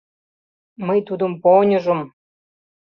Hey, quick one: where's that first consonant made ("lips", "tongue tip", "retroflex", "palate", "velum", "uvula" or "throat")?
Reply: lips